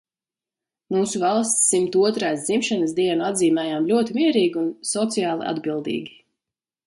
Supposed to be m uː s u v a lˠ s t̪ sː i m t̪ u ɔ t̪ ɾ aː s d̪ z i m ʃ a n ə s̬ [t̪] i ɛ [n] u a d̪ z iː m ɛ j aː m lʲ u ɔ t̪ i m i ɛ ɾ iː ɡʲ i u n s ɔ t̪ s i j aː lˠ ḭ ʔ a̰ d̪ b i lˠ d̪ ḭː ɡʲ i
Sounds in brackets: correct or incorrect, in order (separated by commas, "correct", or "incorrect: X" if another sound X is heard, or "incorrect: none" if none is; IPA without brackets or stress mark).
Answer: incorrect: d̪, correct